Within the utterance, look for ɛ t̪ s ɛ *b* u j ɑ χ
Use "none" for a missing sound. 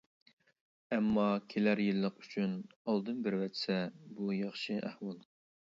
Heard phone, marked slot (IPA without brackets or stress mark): b